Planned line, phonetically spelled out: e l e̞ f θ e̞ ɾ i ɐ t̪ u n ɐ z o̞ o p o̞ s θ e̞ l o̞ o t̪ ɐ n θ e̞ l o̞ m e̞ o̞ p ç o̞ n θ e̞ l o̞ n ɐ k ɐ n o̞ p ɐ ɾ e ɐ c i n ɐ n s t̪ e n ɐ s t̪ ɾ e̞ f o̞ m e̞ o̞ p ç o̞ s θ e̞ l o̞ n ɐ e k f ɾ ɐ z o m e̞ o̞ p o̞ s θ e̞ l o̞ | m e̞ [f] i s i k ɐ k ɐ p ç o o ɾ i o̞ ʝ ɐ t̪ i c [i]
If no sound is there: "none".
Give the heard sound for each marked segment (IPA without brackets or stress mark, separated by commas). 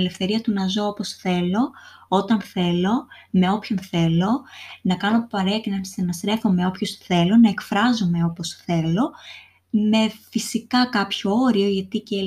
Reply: f, e